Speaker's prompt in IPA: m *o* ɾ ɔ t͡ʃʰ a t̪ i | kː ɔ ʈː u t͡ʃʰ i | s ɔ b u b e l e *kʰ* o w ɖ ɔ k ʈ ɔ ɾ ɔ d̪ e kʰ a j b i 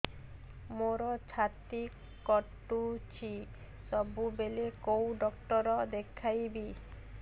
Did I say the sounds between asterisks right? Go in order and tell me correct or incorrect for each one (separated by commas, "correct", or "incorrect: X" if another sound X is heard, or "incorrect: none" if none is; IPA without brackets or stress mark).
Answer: correct, incorrect: k